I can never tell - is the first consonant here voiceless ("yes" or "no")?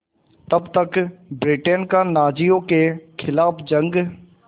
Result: yes